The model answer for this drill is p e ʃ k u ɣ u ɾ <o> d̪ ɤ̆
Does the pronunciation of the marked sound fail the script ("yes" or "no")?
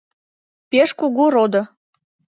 no